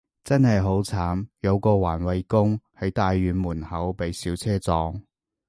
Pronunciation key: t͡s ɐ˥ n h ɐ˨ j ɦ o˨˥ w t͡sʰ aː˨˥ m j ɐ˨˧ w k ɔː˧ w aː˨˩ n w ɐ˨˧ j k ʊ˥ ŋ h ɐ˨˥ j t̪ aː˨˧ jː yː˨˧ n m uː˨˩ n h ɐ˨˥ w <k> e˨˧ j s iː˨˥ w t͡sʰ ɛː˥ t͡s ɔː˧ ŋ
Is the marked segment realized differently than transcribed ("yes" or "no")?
yes